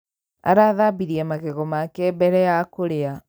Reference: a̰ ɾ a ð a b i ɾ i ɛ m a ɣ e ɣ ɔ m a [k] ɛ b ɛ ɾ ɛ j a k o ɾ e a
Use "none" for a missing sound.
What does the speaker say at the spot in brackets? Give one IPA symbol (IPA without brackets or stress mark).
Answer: k